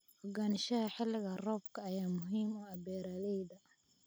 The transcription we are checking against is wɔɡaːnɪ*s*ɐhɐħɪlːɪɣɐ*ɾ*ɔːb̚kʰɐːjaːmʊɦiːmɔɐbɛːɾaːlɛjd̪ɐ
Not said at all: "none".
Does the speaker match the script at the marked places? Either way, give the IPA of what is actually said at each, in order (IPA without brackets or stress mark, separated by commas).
ʃ, r